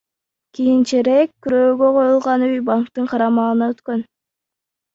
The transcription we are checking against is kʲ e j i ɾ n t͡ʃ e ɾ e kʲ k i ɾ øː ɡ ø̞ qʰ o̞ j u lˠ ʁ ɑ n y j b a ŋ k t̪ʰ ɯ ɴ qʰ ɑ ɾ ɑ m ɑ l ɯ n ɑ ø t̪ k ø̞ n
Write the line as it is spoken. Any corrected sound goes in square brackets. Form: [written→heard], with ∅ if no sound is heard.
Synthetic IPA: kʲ [e→i] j i [ɾ→∅] n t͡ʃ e ɾ e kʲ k [i→y] ɾ øː ɡ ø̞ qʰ o̞ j u lˠ ʁ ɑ n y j b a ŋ k [t̪ʰ→t̪] ɯ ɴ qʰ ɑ ɾ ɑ m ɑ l ɯ n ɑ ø t̪ k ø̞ n